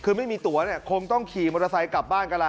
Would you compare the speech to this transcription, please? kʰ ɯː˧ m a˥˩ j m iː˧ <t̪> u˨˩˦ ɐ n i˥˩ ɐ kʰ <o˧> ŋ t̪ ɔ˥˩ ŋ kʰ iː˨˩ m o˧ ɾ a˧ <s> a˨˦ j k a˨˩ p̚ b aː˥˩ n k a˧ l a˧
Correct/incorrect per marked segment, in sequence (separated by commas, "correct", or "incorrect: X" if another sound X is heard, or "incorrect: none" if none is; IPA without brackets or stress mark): correct, correct, correct